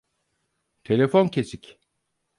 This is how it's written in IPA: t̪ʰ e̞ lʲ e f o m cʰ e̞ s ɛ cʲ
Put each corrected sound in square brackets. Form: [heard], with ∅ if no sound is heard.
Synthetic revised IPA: t̪ʰ e̞ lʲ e f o [n] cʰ e̞ s [i] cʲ